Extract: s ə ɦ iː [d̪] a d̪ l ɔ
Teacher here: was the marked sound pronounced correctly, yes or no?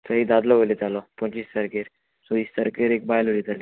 yes